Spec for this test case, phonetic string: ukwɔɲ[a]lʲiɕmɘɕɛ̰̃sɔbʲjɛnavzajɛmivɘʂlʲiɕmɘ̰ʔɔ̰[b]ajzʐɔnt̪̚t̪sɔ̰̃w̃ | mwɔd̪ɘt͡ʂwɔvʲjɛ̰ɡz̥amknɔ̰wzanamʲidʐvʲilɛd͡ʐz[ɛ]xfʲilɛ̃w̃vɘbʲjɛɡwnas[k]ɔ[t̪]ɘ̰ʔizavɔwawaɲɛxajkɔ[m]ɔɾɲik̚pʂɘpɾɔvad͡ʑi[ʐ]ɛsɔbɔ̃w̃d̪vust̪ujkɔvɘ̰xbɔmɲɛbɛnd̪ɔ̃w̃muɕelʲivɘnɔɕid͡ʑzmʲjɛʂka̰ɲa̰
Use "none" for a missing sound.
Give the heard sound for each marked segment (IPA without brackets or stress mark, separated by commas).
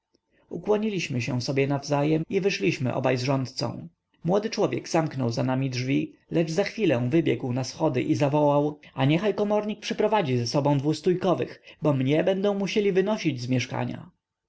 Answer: i, b, a, x, d̪, m, z